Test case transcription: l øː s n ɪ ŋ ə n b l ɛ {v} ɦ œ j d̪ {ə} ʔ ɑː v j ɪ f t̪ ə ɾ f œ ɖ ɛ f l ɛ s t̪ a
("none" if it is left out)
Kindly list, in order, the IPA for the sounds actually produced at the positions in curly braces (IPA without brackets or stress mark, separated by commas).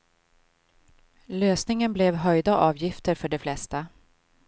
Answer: v, a